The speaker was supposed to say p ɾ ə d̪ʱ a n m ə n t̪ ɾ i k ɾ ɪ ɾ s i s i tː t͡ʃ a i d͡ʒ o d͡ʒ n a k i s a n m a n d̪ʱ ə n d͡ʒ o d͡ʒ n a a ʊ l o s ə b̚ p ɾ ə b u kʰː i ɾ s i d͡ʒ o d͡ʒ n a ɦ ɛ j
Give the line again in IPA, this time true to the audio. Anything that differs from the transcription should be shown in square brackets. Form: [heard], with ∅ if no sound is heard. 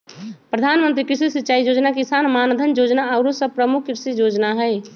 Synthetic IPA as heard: p ɾ ə d̪ʱ a n m ə n t̪ ɾ i k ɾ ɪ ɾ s i s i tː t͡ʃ a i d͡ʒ o d͡ʒ n a k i s a n m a n d̪ʱ ə n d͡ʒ o d͡ʒ n a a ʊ [ɾ] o s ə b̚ p ɾ ə [m] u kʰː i ɾ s i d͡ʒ o d͡ʒ n a ɦ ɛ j